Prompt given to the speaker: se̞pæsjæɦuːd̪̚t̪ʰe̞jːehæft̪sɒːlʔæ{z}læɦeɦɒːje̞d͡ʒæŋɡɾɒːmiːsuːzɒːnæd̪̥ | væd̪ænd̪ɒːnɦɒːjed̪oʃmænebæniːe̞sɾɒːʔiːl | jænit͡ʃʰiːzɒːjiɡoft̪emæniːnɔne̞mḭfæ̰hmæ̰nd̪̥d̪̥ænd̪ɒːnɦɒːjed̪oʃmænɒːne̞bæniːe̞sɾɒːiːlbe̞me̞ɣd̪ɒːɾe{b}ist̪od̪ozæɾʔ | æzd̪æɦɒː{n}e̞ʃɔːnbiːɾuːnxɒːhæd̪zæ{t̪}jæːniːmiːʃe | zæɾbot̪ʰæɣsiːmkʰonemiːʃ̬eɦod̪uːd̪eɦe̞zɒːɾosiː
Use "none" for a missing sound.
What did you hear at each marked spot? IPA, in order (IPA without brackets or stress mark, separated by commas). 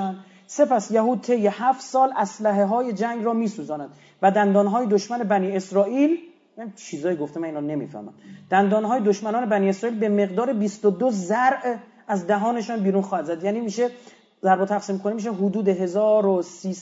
s, b, n, d̪